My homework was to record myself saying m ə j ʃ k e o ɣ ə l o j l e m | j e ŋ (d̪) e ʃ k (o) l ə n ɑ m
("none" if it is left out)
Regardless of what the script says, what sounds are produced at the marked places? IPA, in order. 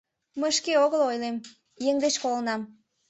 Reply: d̪, o

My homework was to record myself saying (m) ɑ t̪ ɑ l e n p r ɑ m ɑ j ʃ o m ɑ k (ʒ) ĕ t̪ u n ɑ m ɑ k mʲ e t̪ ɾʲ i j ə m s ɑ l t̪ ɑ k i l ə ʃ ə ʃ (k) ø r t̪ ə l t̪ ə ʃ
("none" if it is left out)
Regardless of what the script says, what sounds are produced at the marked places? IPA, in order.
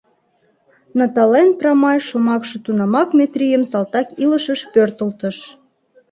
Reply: n, ʃ, p

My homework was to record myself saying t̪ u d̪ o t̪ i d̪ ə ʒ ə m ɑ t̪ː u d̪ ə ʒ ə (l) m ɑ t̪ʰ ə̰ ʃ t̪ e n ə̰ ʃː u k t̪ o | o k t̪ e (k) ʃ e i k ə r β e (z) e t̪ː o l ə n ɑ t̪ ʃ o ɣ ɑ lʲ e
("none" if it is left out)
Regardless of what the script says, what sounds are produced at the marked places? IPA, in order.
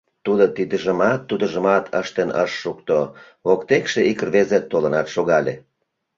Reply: none, k, z

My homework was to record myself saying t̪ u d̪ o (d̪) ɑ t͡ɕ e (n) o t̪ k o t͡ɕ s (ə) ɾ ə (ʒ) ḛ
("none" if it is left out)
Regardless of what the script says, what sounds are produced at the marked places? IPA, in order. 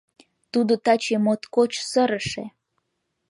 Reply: t̪, m, ə, ʃ

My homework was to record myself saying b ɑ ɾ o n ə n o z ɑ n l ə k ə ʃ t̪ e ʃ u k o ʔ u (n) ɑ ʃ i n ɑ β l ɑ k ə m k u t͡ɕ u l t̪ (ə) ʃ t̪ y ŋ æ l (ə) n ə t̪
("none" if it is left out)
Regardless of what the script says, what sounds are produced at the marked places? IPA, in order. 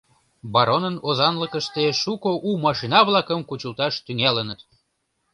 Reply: m, ɑ, ə

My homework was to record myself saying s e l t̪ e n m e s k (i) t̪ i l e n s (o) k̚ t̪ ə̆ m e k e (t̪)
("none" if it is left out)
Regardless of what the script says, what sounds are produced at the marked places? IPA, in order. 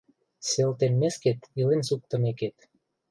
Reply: e, u, t̪

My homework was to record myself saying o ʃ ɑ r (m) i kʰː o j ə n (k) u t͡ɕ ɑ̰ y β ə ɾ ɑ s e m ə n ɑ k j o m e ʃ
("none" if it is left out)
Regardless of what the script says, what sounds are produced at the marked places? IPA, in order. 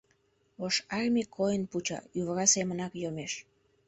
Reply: m, p

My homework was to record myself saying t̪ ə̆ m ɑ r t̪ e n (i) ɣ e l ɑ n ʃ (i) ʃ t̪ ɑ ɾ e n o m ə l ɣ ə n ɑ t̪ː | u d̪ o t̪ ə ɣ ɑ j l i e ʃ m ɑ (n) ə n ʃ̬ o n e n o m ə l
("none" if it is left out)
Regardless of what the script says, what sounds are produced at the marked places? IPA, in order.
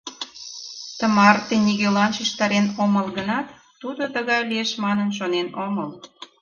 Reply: i, i, n

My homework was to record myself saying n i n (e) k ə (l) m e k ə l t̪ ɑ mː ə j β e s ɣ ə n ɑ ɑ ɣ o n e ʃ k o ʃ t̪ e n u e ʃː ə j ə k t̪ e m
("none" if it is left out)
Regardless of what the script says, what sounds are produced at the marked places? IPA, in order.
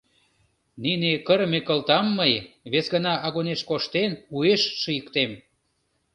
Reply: e, ɾ

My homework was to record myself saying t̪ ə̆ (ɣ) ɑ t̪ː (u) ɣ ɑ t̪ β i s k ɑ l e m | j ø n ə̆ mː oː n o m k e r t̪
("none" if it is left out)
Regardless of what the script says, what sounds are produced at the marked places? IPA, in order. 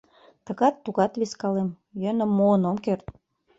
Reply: ɣ, u

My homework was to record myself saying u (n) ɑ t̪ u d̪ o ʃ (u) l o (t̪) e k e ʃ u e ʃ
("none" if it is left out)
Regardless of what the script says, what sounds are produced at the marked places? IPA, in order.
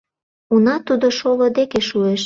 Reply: n, o, d̪

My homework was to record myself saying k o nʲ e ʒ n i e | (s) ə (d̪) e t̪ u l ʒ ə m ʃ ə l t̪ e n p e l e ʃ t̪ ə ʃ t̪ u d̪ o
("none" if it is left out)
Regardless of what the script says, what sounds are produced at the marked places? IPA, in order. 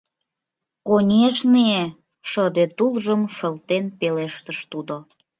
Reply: ʃ, d̪

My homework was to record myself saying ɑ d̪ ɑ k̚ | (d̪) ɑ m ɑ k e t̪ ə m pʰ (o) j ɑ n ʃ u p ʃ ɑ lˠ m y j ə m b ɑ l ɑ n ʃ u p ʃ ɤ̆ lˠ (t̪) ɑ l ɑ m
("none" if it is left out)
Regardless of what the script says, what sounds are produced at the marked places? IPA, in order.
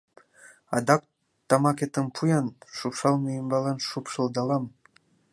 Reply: t̪, u, d̪

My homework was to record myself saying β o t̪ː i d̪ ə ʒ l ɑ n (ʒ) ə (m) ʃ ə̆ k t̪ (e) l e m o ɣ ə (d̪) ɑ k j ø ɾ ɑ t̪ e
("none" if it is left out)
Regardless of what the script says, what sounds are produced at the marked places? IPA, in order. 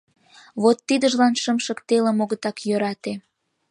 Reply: ʃ, m, e, t̪

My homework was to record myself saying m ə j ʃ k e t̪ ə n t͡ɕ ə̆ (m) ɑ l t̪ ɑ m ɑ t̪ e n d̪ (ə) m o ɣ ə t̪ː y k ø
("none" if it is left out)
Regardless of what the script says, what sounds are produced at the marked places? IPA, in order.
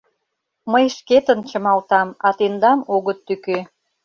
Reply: m, ɑ

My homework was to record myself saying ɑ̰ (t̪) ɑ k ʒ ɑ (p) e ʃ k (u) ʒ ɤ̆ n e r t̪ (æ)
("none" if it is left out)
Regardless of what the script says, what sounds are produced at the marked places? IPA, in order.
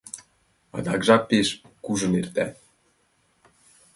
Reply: d̪, p, u, æ

